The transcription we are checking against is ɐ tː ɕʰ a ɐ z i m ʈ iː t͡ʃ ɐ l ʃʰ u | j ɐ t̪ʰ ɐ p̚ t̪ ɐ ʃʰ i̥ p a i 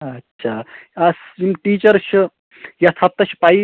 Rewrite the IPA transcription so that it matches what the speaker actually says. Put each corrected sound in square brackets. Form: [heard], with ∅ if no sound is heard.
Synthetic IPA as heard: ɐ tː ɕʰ a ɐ [s] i m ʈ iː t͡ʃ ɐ [ɾ] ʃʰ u | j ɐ t̪ʰ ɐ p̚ t̪ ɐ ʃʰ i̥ p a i